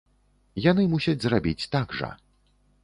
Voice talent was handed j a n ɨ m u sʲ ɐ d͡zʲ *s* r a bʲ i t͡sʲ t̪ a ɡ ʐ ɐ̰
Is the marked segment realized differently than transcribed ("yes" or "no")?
yes